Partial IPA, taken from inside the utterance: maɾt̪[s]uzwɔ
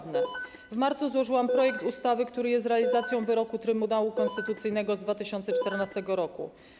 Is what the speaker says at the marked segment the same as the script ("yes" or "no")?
yes